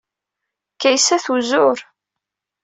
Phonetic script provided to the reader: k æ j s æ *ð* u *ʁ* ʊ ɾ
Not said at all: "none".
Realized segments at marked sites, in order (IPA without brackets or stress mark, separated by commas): θ, z